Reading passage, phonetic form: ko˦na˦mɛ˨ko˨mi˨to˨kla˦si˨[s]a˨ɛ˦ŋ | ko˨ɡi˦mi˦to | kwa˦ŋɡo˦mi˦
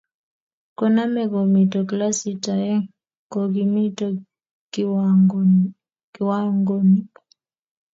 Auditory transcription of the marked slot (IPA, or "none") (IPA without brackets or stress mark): t